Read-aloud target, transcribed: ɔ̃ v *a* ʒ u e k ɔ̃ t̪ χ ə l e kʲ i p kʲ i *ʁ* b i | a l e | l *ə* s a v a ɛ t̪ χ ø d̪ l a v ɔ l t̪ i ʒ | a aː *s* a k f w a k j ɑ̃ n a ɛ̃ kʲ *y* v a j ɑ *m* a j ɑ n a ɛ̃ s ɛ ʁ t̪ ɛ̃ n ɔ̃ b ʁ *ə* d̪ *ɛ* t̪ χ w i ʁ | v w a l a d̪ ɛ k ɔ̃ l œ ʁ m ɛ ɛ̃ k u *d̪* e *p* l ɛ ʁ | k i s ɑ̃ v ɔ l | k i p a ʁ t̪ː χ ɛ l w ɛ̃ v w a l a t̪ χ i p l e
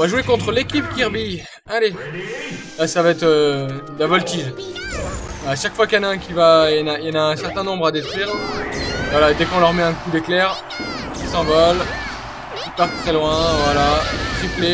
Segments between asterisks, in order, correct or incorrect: correct, correct, incorrect: a, incorrect: ʃ, incorrect: i, incorrect: n, incorrect: a, incorrect: e, correct, incorrect: k

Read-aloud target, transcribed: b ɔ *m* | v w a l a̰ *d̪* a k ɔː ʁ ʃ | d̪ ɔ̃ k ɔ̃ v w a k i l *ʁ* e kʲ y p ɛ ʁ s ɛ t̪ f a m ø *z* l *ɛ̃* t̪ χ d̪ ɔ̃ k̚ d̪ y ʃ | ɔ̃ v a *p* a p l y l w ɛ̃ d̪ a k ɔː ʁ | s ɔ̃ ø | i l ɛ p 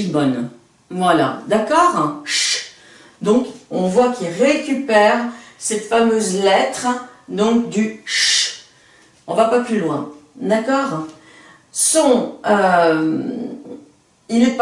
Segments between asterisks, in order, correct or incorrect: incorrect: n, correct, correct, correct, incorrect: ɛ, correct

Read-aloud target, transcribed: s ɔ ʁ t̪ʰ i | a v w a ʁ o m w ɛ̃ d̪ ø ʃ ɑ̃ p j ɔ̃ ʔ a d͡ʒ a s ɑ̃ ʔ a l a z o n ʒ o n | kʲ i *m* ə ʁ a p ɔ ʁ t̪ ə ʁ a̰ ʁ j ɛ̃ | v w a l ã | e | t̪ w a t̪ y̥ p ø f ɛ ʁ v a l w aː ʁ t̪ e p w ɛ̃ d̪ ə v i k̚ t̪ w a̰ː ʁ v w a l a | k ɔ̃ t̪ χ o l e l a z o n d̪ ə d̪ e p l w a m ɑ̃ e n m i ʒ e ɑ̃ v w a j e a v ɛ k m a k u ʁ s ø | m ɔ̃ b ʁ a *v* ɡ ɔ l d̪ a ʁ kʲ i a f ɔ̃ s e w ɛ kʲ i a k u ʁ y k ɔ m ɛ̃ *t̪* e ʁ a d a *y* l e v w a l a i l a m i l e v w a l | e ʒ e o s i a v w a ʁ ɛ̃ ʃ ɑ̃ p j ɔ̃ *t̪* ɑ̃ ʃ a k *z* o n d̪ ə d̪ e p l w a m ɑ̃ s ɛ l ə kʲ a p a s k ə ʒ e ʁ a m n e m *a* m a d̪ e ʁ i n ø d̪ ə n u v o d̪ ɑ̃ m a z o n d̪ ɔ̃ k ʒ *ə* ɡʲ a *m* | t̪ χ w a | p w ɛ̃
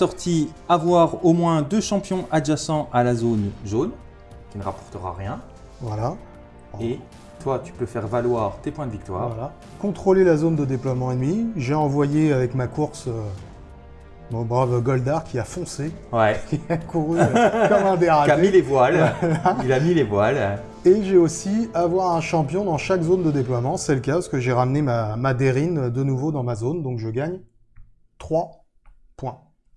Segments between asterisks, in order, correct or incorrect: incorrect: n, correct, incorrect: d̪, incorrect: i, incorrect: d̪, correct, correct, correct, incorrect: ɲ

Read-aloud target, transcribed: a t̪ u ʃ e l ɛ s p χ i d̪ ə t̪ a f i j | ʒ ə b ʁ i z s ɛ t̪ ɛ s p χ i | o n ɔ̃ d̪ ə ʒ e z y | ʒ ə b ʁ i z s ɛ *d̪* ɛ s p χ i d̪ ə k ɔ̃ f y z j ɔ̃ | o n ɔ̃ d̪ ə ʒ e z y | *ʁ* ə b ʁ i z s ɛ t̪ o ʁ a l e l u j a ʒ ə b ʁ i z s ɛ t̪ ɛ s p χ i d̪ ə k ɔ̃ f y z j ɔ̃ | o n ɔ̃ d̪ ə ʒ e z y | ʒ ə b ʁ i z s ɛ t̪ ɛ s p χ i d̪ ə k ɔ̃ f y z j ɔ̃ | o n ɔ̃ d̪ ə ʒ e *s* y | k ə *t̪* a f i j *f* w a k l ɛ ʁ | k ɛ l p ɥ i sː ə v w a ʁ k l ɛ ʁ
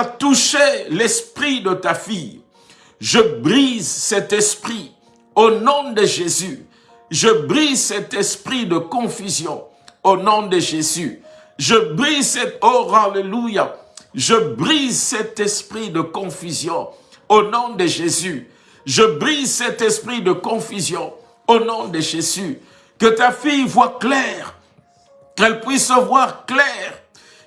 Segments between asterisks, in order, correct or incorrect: incorrect: t̪, incorrect: ʒ, incorrect: z, correct, incorrect: v

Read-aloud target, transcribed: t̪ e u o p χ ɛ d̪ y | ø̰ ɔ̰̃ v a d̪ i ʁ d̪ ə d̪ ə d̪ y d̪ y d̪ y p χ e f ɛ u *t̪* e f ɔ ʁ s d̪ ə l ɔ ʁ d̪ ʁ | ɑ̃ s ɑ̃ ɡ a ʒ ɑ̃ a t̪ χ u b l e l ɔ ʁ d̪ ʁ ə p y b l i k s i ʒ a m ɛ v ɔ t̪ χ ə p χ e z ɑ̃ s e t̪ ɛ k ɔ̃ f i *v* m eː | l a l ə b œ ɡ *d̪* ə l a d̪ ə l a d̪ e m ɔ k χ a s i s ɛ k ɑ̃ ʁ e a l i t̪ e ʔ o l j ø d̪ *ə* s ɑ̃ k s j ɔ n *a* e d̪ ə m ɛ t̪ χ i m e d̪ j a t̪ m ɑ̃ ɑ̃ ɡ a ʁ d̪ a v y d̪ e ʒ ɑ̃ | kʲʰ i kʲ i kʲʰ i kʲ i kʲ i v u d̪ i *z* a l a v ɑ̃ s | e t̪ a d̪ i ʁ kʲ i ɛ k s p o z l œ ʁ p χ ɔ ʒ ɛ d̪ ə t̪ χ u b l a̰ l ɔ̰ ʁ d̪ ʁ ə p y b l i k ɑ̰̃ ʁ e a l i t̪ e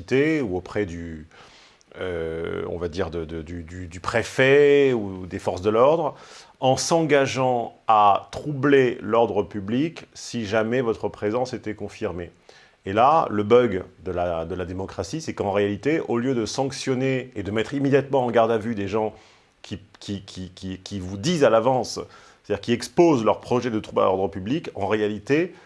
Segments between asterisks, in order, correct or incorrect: incorrect: d̪, incorrect: ʁ, correct, correct, incorrect: e, correct

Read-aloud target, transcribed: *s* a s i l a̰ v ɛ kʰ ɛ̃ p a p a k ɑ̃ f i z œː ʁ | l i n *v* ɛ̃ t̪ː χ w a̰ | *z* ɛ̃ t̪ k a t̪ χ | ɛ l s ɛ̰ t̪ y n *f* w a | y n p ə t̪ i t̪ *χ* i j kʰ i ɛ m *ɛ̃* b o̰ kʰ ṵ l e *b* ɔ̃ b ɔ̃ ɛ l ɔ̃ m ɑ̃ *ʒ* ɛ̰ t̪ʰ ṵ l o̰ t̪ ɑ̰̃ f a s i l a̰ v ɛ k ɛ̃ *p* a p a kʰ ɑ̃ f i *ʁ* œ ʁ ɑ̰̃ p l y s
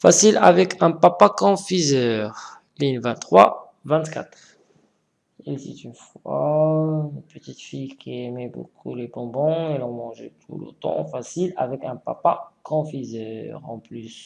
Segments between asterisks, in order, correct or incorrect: incorrect: f, correct, incorrect: v, correct, incorrect: f, incorrect: ɛ, correct, correct, correct, incorrect: z

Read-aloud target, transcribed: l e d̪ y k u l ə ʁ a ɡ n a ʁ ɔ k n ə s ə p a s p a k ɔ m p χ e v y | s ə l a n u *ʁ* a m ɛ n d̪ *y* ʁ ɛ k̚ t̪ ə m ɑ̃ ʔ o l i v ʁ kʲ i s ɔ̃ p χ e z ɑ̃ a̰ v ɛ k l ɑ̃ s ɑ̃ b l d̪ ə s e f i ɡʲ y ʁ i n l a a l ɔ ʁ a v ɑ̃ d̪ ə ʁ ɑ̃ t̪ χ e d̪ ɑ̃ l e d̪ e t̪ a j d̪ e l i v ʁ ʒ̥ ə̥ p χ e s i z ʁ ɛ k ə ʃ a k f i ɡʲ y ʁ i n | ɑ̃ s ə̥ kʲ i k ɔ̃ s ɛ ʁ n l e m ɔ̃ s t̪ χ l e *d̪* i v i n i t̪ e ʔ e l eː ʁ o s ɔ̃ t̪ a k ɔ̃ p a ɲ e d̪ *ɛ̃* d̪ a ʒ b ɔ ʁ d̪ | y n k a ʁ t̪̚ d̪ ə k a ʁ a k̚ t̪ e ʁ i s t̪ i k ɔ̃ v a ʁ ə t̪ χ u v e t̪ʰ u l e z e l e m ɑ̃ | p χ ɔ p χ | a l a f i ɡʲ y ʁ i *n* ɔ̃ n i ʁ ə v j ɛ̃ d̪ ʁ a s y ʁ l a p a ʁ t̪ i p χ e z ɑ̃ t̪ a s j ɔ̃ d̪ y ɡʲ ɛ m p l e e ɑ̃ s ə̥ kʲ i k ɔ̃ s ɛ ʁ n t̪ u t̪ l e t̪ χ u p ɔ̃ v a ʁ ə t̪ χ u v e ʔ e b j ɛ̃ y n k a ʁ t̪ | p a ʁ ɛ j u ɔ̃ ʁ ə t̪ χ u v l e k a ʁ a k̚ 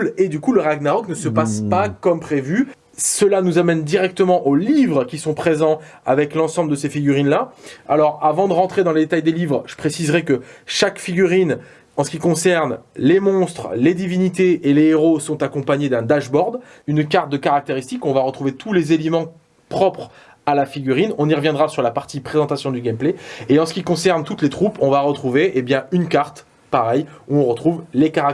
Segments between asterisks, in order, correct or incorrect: incorrect: z, incorrect: i, correct, correct, correct

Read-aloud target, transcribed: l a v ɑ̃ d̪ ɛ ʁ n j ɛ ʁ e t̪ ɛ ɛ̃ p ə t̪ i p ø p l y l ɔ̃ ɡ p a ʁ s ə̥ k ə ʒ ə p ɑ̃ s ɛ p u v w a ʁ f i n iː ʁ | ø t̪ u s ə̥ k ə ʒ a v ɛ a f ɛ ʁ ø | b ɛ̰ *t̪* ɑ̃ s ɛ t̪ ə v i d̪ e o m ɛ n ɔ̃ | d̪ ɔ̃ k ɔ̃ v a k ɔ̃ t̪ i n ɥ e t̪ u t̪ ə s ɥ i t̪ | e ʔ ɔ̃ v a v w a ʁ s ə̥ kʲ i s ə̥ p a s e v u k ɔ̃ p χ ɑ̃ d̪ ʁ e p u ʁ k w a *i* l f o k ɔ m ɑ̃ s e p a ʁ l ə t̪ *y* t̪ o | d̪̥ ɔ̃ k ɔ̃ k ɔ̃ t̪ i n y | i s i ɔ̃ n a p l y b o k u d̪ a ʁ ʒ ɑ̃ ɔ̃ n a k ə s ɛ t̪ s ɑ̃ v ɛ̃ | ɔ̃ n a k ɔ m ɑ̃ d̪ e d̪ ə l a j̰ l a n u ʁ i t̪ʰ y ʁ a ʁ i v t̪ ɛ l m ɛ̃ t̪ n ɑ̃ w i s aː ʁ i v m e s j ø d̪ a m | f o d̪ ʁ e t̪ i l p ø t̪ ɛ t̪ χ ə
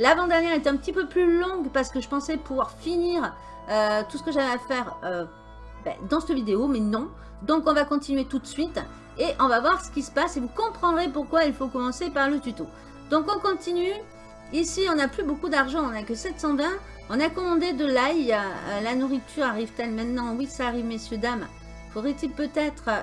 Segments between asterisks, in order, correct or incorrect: incorrect: d̪, correct, correct

